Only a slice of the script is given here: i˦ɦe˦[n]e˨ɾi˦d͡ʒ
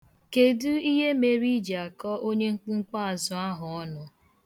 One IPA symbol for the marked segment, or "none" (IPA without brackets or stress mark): m